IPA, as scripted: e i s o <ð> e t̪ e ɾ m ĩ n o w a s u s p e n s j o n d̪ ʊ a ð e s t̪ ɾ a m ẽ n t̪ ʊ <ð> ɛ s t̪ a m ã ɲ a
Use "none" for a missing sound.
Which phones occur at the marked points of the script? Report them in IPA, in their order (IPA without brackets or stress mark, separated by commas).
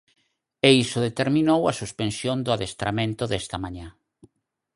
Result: ð, ð